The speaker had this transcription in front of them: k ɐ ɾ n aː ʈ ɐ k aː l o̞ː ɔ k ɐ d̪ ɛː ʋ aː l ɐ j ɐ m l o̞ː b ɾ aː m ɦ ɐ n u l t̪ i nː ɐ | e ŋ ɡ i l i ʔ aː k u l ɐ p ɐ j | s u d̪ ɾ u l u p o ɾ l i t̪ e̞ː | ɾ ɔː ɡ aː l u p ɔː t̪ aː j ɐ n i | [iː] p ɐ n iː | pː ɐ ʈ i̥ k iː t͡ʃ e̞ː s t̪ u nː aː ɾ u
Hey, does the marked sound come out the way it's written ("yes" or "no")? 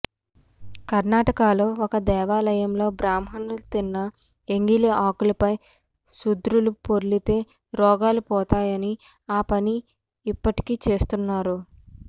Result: no